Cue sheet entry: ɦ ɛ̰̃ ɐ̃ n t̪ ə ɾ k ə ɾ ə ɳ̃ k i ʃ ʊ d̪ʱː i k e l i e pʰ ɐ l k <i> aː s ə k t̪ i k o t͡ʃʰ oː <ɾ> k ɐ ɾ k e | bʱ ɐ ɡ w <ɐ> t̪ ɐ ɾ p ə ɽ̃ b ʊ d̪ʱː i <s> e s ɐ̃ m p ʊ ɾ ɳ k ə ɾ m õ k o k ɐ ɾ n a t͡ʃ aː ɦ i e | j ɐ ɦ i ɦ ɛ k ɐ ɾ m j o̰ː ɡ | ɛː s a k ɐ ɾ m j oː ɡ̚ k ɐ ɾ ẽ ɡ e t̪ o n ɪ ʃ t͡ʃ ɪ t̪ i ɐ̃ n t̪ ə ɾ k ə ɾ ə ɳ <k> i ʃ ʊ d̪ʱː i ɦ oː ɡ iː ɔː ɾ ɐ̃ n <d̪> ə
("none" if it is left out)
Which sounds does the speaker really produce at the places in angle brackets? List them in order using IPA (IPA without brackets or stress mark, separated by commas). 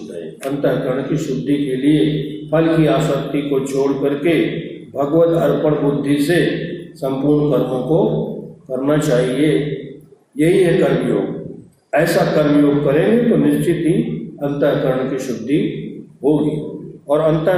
i, ɽ, ə, s, k, t̪